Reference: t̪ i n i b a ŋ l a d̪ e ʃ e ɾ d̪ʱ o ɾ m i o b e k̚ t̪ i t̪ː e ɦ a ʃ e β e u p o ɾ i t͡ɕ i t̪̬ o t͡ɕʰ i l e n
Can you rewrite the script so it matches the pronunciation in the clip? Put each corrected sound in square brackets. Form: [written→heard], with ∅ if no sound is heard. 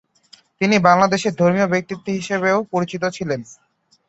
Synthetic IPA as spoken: t̪ i n i b a ŋ l a d̪ e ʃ e ɾ d̪ʱ o ɾ m i o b e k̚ t̪ i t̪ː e ɦ [a→i] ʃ e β e [u→o] p o ɾ i t͡ɕ i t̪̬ o t͡ɕʰ i l e n